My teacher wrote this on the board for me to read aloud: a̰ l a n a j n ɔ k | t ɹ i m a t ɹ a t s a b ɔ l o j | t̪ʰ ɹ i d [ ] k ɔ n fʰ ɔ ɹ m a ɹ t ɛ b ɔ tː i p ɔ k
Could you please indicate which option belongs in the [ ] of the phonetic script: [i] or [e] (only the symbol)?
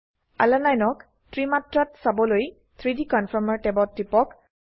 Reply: i